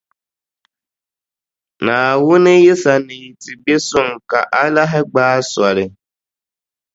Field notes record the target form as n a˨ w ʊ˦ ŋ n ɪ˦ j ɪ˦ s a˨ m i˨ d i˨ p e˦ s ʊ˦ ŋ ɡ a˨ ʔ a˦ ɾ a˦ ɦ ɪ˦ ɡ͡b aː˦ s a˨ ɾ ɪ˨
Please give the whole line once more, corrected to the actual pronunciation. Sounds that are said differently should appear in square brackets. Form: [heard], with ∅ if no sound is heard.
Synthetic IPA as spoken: n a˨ w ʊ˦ [∅] n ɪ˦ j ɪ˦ s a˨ [n] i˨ [t] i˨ [b] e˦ s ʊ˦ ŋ [k] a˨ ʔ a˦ [l] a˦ ɦ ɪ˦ ɡ͡b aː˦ s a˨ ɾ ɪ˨